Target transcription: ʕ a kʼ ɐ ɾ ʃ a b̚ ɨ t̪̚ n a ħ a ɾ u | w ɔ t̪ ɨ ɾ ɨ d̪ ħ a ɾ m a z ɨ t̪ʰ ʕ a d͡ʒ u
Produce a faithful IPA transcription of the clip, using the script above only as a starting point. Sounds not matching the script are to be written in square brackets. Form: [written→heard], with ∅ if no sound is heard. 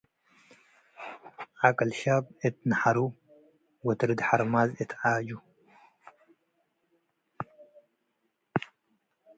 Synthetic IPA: ʕ a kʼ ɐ [ɾ→l] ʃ a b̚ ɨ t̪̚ n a ħ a ɾ u | w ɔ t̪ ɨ ɾ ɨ d̪ ħ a ɾ m a z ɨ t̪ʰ ʕ a d͡ʒ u